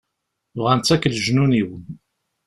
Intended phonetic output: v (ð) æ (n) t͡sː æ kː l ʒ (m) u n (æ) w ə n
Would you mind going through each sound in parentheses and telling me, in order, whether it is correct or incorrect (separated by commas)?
incorrect, correct, incorrect, incorrect